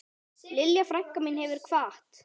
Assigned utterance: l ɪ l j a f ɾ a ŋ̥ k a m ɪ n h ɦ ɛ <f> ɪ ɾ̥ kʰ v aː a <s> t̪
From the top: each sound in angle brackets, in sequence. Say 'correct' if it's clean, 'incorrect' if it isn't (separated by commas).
incorrect, incorrect